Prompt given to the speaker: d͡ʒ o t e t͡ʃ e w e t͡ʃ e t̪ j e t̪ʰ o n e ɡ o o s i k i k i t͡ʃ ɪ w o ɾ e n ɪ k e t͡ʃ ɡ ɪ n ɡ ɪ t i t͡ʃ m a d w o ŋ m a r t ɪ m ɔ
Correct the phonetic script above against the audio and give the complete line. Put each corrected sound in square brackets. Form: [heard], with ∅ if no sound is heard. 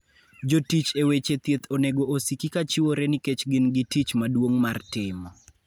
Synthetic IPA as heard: d͡ʒ o t [i] t͡ʃ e w e t͡ʃ e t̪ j e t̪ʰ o n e ɡ o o s i k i k [a] t͡ʃ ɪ w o ɾ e n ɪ k e t͡ʃ ɡ ɪ n ɡ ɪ t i t͡ʃ m a d w o ŋ m a r t ɪ m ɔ